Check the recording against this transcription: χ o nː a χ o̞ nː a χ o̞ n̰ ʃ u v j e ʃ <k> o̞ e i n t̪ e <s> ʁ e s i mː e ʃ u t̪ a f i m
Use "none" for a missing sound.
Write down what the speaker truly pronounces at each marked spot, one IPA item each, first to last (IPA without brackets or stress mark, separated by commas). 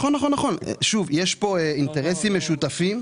p, none